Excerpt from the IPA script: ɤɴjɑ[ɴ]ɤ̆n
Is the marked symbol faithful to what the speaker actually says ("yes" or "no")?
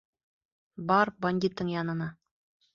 no